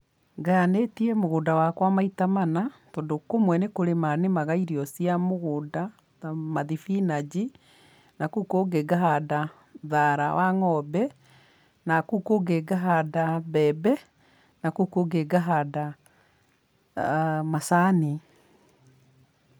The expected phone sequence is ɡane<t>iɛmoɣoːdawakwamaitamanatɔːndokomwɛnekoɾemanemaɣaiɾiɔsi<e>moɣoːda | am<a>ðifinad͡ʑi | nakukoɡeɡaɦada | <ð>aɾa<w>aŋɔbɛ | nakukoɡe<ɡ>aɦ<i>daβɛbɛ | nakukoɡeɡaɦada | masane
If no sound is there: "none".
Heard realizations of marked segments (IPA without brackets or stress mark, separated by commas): t, a, a, ð, w, ɡ, a